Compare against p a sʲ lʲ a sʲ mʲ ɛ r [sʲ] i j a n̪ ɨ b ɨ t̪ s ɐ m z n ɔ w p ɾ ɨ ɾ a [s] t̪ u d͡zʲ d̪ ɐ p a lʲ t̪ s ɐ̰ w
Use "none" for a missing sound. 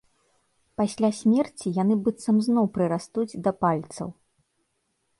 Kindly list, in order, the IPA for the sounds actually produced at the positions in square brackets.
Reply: t͡sʲ, s

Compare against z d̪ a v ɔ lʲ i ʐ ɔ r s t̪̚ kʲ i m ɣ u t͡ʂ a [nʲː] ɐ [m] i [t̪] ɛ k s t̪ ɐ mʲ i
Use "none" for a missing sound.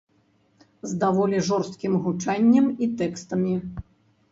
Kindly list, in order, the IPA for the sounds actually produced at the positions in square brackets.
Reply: nʲː, m, t̪

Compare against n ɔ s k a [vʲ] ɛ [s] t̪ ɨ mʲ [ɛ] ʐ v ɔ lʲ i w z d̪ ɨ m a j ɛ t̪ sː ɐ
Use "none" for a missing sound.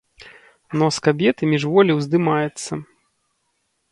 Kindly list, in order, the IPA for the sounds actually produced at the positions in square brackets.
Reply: bʲ, none, i

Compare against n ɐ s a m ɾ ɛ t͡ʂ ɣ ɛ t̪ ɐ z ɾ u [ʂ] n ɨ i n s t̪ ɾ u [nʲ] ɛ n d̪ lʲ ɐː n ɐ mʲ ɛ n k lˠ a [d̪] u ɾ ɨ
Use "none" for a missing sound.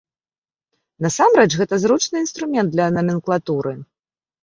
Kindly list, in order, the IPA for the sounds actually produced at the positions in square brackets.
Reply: t͡ʂ, mʲ, t̪

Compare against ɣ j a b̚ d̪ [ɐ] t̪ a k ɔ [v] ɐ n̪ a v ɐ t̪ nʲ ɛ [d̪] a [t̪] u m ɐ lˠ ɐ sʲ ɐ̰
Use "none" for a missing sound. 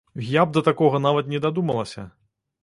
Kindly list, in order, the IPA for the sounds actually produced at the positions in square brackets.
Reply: ɐ, ɣ, d̪, d̪

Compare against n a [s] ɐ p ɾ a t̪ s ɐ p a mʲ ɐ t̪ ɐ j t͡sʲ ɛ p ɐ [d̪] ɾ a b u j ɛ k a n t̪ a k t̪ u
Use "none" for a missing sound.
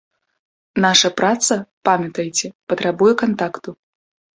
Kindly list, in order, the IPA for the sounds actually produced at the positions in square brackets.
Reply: ʂ, t̪

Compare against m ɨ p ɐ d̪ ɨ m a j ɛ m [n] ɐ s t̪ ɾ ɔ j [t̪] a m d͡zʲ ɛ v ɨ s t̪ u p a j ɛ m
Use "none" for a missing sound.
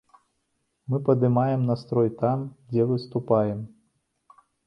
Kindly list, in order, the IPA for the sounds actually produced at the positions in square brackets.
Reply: n, t̪

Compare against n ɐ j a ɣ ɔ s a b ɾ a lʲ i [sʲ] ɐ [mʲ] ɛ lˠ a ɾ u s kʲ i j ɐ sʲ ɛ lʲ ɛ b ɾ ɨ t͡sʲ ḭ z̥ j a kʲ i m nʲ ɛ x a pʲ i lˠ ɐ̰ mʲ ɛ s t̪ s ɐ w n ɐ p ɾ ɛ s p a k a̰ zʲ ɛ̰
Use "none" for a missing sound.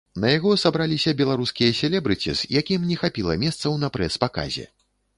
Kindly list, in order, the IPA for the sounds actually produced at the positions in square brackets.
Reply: sʲ, bʲ

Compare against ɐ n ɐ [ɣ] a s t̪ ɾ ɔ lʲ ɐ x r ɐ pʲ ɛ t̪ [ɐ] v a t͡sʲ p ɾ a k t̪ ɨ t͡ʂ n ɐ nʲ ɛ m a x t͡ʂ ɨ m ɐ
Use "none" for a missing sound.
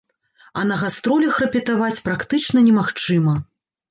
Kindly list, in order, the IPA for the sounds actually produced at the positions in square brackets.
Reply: ɣ, a

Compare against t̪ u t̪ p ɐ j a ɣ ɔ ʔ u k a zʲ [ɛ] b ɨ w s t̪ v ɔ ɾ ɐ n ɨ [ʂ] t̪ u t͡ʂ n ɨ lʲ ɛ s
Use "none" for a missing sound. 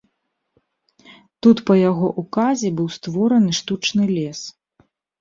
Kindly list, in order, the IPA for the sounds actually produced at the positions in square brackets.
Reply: ɛ, ʂ

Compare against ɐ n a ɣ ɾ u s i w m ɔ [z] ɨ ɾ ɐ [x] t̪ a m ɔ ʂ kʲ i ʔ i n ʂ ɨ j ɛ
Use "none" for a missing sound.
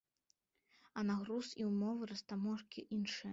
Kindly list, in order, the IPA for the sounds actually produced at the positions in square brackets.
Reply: v, s

